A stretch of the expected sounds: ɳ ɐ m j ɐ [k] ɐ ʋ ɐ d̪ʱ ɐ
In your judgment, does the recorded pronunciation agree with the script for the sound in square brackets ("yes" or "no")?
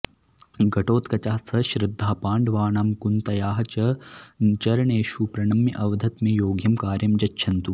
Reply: no